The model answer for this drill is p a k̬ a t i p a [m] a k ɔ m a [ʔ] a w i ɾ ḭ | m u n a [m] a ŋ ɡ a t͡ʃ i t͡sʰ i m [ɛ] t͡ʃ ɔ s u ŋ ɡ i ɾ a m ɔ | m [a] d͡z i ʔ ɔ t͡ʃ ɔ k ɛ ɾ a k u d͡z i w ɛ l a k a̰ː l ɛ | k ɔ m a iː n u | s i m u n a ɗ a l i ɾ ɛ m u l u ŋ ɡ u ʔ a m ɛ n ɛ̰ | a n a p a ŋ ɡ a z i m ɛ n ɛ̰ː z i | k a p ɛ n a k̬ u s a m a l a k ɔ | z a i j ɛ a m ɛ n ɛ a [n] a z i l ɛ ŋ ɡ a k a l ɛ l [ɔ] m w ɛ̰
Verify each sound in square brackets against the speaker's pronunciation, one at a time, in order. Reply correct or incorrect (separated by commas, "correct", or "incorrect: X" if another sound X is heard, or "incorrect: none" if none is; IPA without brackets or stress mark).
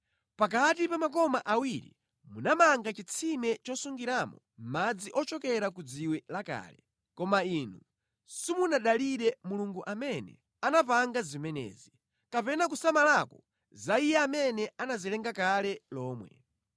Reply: correct, correct, correct, correct, correct, correct, incorrect: ɔː